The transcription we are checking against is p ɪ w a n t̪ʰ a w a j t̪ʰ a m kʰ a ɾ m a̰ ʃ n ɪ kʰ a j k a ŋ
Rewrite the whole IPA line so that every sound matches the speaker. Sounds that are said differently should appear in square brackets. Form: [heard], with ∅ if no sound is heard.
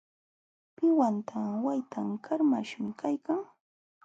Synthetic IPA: p ɪ w a n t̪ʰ a w a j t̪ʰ a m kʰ a ɾ m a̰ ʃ [m] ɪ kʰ a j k a ŋ